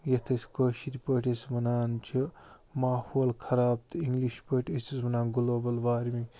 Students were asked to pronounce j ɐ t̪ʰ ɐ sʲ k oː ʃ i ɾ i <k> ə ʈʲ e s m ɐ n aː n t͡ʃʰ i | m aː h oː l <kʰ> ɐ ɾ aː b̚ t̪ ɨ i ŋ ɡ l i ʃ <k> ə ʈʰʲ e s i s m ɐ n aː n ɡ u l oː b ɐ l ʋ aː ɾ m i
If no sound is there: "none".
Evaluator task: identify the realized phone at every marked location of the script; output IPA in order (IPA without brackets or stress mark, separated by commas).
p, kʰ, p